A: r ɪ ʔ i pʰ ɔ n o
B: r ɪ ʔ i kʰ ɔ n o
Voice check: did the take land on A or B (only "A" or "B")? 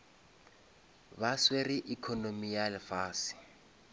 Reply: B